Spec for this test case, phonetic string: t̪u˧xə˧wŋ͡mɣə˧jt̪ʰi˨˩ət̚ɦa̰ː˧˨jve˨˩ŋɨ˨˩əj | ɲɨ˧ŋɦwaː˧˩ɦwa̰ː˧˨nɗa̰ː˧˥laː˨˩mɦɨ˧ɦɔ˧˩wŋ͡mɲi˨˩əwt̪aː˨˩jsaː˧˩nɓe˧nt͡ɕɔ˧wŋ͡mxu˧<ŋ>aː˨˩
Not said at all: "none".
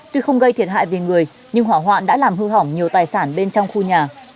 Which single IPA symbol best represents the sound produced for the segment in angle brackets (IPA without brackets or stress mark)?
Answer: ɲ